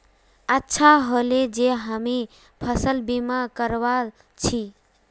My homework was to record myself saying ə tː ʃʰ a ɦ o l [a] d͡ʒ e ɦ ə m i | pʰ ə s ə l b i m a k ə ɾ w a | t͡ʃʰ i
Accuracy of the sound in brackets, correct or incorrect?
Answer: incorrect